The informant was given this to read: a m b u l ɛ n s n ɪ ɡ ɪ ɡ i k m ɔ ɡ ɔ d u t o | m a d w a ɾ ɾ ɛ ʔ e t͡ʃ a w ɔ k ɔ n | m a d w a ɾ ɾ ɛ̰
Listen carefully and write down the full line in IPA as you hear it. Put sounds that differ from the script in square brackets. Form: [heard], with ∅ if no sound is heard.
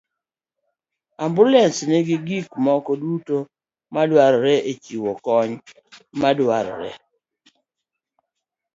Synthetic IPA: a m b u l ɛ n s n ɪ ɡ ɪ ɡ i k m ɔ [k] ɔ d u t o | m a d w a ɾ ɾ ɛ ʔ e t͡ʃ [i] w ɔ k ɔ [ɲ] | m a d w a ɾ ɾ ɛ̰